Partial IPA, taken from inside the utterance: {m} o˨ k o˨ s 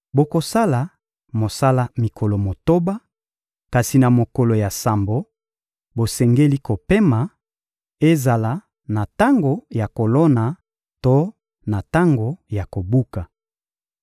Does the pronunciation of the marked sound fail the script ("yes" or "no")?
yes